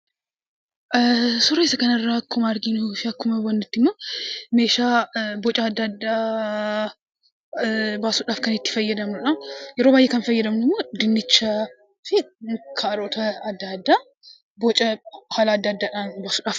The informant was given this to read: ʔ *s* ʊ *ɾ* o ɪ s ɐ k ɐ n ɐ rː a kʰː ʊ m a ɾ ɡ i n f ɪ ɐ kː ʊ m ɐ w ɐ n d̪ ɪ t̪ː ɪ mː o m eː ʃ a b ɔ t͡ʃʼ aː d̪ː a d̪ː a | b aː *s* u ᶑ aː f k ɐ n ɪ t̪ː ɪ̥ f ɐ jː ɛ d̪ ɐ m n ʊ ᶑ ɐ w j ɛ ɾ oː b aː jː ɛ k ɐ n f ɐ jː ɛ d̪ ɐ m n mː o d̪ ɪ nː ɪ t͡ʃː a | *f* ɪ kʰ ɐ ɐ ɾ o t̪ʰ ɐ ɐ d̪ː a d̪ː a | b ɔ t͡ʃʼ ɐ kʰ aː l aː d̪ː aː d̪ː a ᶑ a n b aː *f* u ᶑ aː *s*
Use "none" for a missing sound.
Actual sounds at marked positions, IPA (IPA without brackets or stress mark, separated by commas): s, ɾ, s, f, s, f